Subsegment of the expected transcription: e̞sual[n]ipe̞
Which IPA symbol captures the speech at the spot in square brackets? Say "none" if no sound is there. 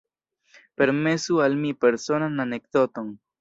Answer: m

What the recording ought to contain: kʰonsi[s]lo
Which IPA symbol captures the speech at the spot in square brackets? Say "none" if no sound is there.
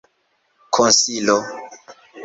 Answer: none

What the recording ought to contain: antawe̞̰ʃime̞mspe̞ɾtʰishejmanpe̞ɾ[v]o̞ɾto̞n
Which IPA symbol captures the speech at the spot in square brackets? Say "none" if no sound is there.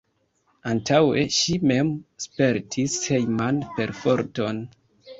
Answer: f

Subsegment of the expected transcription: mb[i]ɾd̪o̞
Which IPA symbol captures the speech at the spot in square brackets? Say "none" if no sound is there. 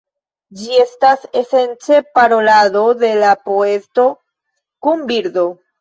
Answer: i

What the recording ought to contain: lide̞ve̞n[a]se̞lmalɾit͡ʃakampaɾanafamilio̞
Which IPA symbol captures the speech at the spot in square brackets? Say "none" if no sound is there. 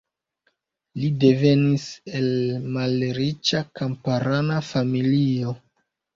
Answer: i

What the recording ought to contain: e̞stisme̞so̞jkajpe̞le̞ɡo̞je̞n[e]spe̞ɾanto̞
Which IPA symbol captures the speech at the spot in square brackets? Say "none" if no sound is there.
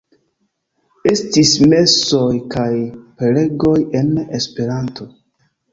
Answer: e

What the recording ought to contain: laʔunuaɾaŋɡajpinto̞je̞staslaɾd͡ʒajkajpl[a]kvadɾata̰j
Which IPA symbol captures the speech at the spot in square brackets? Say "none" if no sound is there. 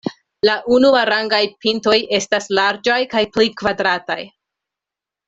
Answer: i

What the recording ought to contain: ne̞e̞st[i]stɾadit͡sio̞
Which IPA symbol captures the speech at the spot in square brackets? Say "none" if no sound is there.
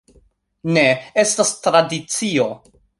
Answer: a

